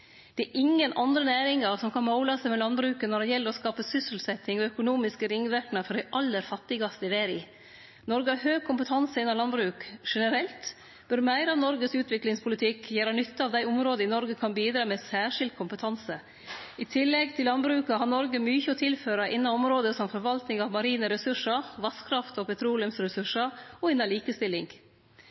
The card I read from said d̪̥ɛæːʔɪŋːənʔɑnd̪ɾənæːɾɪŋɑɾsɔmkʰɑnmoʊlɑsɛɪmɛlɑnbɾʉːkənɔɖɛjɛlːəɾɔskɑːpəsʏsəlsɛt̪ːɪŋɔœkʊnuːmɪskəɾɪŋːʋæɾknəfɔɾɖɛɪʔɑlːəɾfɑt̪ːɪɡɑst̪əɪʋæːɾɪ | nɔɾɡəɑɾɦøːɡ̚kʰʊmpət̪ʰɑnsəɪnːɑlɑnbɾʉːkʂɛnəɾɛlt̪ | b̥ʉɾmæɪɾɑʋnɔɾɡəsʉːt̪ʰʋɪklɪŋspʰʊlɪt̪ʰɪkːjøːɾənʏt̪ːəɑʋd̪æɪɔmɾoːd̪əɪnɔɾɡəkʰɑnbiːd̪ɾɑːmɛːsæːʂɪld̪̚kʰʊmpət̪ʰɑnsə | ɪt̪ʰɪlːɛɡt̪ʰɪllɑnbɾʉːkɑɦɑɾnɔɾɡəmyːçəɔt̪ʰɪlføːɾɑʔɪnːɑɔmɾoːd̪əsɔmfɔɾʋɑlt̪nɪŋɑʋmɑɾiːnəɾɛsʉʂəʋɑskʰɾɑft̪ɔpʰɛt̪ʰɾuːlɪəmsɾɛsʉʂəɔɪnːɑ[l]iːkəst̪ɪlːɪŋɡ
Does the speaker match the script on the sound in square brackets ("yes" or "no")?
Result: yes